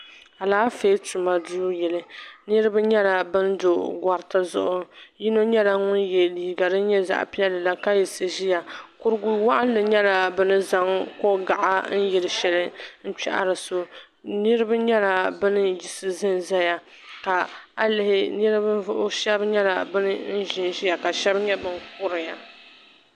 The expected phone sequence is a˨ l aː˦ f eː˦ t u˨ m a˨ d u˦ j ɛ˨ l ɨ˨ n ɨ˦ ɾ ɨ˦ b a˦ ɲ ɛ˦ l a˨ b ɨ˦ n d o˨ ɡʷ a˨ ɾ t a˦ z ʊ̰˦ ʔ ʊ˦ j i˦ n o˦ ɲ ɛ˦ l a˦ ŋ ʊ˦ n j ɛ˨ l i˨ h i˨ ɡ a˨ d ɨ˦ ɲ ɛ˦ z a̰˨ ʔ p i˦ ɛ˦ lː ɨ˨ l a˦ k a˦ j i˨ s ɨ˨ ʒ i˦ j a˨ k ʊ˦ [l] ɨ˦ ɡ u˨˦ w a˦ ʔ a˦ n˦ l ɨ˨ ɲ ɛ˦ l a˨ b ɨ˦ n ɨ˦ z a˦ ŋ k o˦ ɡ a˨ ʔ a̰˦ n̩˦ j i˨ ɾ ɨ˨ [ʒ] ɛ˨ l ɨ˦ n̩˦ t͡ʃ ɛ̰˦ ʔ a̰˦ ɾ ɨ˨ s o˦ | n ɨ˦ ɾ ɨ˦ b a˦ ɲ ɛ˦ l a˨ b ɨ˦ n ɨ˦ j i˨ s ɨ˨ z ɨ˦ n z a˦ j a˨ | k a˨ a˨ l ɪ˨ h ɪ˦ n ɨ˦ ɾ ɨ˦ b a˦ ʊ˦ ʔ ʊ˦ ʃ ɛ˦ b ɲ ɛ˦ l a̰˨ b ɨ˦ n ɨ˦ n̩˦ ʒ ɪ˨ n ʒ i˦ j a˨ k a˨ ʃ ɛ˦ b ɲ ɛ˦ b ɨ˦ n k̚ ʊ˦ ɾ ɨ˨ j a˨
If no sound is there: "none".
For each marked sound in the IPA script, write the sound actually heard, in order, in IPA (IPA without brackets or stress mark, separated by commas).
ɾ, ʃ